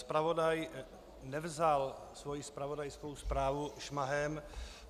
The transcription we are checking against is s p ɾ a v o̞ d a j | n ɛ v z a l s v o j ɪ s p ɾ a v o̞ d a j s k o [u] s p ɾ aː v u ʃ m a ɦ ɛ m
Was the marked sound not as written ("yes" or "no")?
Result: yes